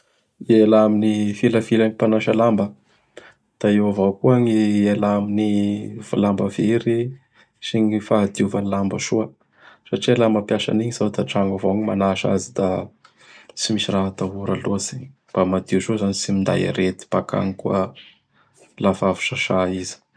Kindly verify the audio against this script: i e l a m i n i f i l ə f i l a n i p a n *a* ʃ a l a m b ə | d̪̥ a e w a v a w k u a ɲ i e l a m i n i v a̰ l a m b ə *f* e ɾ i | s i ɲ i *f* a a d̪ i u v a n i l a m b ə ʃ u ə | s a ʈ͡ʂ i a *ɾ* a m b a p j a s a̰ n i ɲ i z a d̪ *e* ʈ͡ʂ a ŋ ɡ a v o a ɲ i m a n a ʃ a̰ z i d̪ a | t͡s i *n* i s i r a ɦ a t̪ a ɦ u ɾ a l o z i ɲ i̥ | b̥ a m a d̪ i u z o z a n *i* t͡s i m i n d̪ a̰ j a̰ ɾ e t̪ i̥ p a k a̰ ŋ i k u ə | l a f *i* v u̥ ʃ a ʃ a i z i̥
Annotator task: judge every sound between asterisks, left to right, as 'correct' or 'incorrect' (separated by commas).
correct, incorrect, correct, incorrect, incorrect, incorrect, correct, incorrect